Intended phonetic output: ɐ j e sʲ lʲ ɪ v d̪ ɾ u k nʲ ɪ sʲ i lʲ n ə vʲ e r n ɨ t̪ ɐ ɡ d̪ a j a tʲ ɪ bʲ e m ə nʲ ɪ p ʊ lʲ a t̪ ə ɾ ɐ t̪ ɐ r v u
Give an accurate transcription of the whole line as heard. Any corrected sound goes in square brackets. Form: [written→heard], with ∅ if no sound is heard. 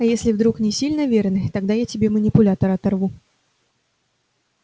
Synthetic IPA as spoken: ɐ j e sʲ lʲ ɪ v d̪ ɾ u k nʲ ɪ sʲ i lʲ n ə vʲ e r n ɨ t̪ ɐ ɡ d̪ a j a tʲ ɪ bʲ e m ə nʲ ɪ p ʊ lʲ a t̪ ə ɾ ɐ t̪ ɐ r v u